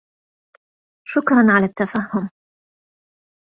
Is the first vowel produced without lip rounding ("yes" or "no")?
no